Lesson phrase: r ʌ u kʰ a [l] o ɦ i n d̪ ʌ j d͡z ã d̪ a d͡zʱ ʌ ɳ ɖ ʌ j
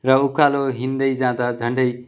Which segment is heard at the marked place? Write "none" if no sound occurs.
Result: l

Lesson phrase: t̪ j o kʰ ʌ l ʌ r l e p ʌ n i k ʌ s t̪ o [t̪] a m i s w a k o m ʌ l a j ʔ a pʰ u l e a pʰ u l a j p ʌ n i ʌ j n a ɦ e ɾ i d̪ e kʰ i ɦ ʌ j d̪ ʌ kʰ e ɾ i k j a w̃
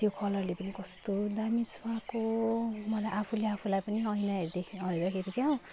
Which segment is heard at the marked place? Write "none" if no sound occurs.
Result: d̪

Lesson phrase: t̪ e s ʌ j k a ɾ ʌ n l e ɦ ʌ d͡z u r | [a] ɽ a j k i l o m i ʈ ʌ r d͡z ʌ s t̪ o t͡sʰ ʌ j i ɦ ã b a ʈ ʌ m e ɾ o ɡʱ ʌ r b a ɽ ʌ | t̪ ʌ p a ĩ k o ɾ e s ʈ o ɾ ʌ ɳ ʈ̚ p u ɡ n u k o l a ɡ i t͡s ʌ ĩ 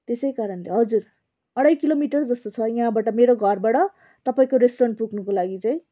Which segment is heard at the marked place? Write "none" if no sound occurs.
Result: ʌ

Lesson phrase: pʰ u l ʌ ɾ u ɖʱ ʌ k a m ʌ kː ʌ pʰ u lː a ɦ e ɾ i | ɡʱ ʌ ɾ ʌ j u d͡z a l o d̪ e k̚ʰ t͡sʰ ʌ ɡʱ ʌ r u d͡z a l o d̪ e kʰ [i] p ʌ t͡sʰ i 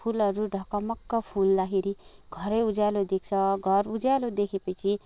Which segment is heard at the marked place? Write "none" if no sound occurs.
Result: e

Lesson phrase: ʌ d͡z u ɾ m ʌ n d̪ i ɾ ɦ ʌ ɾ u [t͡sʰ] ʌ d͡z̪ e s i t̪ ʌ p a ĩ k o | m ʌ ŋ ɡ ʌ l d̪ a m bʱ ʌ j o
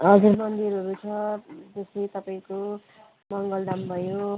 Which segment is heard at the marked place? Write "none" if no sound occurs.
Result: t͡sʰ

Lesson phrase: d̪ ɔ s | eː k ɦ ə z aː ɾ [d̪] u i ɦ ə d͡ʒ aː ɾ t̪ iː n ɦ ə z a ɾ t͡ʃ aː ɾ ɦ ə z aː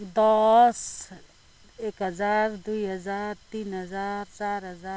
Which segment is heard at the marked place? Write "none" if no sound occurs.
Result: d̪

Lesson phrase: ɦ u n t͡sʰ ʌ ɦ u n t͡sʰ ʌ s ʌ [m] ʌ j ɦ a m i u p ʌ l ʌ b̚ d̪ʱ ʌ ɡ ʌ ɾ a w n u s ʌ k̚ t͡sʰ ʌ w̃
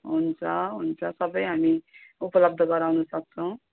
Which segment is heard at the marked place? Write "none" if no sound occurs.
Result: b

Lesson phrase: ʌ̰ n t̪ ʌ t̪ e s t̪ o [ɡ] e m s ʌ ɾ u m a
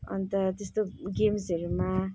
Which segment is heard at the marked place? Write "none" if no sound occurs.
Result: ɡ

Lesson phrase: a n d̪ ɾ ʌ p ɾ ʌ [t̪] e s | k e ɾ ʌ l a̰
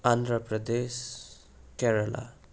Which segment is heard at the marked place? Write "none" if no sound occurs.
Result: d̪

